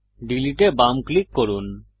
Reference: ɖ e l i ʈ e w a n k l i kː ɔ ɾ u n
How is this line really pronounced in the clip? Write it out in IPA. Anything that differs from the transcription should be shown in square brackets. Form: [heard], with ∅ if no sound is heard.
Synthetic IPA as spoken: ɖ [i] l i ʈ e [b] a [m] k l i kː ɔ ɾ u n

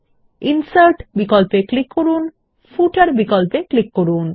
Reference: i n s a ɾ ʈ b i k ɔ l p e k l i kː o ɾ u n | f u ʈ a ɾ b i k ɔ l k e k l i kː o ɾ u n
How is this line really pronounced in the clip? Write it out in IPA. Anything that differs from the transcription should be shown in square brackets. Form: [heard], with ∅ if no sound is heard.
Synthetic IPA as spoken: i n s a ɾ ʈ b i k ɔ l p e k l i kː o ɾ u n | f u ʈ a ɾ b i k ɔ l [p] e k l i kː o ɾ u n

